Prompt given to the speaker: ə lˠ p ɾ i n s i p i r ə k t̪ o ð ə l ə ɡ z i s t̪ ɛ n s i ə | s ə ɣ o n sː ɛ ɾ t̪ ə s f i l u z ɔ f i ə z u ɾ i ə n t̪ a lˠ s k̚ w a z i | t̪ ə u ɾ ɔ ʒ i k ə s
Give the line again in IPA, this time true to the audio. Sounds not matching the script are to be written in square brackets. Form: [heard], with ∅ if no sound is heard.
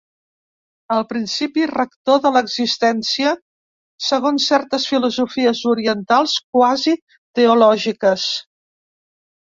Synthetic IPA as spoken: ə lˠ p ɾ i n s i p i r ə k t̪ o ð ə l ə ɡ z i s t̪ ɛ n s i ə | s ə ɣ o n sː ɛ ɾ t̪ ə s f i l u z [u] f i ə z u ɾ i ə n t̪ a lˠ s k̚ w a z i | t̪ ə u [l] ɔ ʒ i k ə s